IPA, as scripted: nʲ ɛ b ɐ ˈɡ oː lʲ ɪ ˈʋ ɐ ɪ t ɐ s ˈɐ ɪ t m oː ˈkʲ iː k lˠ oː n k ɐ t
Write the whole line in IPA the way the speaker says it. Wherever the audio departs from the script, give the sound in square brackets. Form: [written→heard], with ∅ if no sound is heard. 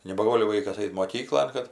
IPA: nʲ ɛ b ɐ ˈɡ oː lʲ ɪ ˈʋ ɐ ɪ [t→k] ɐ s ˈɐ ɪ t m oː ˈkʲ iː k lˠ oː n k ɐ t